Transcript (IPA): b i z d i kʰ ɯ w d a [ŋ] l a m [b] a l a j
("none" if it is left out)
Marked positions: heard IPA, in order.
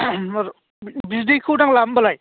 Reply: ŋ, b

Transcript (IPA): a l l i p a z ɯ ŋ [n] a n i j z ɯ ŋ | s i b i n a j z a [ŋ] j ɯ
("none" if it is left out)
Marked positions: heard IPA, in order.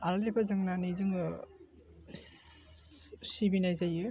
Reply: n, none

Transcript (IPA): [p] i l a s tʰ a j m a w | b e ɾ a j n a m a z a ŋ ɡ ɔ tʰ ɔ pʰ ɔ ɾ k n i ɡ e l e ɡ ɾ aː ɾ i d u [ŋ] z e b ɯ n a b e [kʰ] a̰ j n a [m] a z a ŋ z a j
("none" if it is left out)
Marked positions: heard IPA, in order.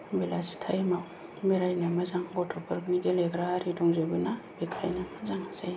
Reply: b, ŋ, kʰ, m

